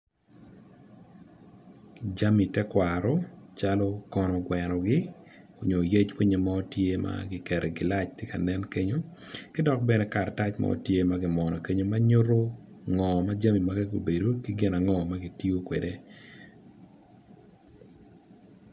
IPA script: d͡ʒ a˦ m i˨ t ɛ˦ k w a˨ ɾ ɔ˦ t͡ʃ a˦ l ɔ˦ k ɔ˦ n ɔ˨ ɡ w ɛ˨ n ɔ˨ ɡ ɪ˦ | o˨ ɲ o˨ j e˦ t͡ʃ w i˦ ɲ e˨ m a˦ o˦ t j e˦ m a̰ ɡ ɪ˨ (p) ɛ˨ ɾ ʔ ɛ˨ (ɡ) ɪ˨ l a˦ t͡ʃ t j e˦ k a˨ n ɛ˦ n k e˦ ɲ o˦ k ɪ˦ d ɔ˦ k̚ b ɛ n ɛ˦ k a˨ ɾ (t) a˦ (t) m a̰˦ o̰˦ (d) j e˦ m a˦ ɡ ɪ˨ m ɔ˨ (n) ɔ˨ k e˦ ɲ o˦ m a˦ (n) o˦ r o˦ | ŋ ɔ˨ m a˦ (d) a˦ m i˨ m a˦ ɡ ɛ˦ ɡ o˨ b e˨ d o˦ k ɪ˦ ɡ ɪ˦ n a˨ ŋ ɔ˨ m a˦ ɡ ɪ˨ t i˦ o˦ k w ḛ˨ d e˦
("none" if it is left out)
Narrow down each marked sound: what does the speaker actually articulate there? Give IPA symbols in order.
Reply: k, ɡ, t, t͡ʃ, t, n, ɲ, d͡ʒ

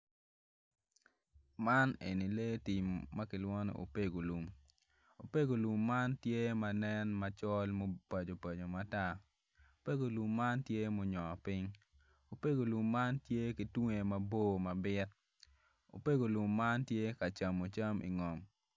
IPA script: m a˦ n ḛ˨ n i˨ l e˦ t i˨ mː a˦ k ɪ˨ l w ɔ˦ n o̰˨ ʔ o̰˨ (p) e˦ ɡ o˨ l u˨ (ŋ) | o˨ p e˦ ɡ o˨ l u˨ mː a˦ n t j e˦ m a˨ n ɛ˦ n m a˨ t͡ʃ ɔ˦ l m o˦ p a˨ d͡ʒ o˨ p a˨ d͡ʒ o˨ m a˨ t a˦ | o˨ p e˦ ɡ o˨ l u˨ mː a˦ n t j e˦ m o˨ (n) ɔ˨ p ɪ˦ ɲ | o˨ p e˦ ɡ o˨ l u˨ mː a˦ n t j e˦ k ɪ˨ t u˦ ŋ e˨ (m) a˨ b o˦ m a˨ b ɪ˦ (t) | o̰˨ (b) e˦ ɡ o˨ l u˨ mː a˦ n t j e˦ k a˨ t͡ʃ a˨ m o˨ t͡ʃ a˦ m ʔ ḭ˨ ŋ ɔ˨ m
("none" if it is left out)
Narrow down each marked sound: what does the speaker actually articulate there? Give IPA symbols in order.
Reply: p, m, ɲ, m, t, p

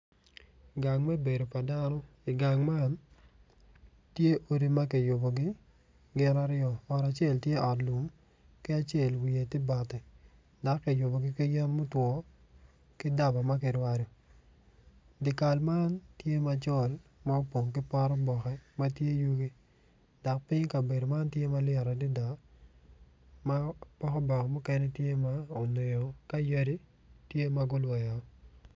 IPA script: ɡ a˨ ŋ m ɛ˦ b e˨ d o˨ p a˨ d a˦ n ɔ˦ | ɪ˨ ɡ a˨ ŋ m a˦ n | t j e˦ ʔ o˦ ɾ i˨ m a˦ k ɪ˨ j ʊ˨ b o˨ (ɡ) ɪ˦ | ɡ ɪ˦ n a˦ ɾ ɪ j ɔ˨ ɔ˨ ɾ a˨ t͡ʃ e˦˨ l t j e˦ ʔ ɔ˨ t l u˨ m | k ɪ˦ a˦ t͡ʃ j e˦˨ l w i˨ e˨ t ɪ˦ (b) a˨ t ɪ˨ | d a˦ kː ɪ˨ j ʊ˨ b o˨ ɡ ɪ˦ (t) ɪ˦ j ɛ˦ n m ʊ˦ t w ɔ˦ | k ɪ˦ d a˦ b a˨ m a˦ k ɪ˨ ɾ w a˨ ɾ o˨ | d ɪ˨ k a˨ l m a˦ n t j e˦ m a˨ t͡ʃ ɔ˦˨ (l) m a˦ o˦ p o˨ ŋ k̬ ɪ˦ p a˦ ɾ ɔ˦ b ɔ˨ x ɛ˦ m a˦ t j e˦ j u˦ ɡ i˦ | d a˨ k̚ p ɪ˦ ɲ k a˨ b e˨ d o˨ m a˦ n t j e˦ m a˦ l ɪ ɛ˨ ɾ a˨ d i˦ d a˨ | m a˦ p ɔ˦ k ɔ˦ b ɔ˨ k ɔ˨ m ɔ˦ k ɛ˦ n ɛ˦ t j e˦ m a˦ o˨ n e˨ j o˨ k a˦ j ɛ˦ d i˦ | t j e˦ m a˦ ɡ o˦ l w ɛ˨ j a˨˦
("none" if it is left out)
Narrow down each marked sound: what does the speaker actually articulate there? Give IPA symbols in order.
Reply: ɡ, b, k, l

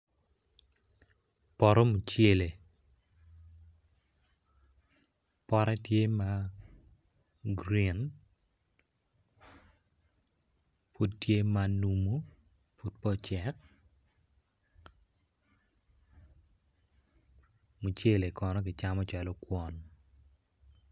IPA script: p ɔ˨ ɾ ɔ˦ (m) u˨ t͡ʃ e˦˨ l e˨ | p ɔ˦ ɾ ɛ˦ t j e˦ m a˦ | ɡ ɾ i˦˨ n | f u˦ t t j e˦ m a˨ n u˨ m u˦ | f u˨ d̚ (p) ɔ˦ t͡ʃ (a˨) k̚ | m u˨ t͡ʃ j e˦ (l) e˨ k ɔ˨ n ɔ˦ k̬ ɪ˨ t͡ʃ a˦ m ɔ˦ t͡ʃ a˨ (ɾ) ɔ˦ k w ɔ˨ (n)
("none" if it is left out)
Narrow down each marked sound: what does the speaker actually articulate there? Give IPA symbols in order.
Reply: m, p, ɛ˨, l, l, n

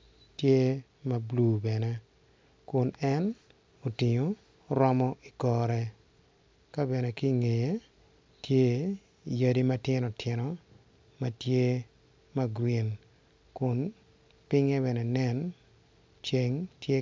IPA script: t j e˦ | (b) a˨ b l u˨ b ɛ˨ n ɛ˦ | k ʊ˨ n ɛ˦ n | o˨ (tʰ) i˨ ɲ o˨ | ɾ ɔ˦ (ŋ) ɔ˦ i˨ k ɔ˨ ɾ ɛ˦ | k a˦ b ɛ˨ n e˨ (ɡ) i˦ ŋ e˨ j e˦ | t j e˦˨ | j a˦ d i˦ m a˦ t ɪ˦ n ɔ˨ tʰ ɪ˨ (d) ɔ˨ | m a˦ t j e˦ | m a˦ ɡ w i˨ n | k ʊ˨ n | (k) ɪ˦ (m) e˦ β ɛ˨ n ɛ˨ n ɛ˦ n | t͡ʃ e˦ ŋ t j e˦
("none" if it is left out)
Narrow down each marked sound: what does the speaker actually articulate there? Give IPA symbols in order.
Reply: m, t, m, k, n, p, ŋ

